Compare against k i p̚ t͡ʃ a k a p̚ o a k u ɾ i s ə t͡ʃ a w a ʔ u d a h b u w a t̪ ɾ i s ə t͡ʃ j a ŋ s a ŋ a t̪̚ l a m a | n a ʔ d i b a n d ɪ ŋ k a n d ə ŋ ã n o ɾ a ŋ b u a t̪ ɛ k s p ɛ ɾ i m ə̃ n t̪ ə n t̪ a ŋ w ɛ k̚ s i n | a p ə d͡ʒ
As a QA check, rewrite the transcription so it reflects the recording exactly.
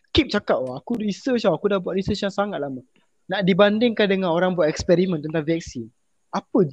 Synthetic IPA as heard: k i p̚ t͡ʃ a k a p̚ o a k u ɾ i s ə t͡ʃ a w a k u d a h b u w a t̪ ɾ i s ə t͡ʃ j a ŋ s a ŋ a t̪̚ l a m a | n a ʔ d i b a n d ɪ ŋ k a n d ə ŋ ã n o ɾ a ŋ b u a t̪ ɛ k s p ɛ ɾ i m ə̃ n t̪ ə n t̪ a ŋ v ɛ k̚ s i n | a p ə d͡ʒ